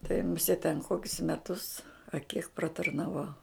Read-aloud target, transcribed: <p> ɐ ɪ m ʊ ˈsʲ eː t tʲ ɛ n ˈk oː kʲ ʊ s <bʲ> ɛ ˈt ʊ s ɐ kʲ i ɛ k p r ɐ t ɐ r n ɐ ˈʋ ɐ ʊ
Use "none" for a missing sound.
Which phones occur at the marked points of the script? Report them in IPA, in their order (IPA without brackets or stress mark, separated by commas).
t, mʲ